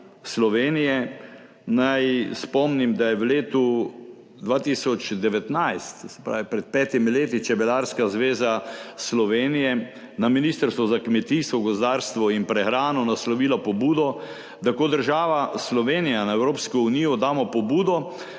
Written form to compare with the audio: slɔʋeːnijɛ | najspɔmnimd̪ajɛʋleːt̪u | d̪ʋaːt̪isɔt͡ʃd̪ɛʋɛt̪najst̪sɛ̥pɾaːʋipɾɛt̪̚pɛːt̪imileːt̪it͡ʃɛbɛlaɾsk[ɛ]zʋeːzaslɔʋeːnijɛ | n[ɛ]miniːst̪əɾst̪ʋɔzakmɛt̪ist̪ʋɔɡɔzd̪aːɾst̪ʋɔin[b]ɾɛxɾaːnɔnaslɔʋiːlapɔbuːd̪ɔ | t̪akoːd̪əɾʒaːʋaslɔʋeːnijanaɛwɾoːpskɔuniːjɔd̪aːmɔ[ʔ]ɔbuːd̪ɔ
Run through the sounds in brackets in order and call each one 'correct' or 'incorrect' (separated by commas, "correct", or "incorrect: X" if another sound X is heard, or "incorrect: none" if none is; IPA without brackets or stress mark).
incorrect: a, incorrect: a, incorrect: p, incorrect: p